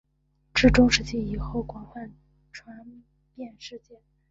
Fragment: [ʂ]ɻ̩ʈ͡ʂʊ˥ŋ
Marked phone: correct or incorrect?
incorrect: ʈ͡ʂ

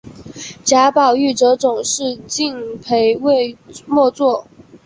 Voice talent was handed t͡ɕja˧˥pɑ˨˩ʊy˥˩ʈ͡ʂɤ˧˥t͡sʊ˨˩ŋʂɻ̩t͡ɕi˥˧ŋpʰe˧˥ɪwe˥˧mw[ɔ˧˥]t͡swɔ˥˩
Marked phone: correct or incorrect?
incorrect: ɔ˥˧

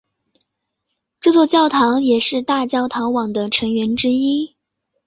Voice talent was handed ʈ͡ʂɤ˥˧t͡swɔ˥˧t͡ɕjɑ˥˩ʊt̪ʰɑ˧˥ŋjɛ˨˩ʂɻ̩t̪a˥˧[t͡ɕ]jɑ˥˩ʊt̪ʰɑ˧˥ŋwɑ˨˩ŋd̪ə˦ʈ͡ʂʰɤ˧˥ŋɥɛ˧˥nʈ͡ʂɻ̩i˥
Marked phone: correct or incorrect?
correct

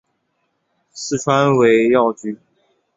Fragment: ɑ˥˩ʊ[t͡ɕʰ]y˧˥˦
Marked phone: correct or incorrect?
incorrect: t͡ɕ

